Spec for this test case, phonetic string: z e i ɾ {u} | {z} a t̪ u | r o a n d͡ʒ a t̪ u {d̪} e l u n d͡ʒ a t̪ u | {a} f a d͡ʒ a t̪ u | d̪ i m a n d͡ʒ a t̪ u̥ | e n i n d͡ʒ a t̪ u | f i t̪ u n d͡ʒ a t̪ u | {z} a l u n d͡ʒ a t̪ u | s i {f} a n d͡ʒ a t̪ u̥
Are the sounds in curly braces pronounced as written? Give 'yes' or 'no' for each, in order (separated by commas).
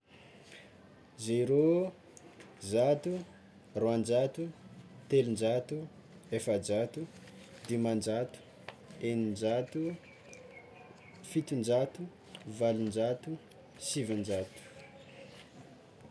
no, yes, no, no, no, no